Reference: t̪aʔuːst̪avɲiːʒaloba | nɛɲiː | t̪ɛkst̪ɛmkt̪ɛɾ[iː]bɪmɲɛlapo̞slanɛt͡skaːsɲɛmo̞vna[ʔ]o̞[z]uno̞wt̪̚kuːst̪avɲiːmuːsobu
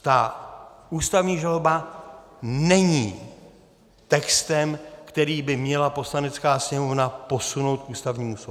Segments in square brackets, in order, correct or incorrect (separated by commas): correct, incorrect, incorrect